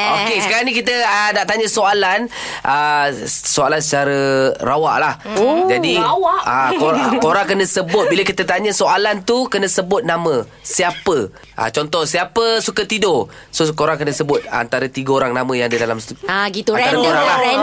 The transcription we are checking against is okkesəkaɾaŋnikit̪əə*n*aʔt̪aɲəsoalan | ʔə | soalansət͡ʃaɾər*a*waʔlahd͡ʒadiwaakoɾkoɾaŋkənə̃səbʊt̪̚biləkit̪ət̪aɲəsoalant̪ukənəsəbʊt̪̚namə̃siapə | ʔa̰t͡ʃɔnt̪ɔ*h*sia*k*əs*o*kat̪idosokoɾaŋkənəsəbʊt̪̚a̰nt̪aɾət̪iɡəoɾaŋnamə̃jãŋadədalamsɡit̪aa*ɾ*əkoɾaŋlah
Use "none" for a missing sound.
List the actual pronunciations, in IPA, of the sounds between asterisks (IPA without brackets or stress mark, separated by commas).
n, a, h, p, u, ɾ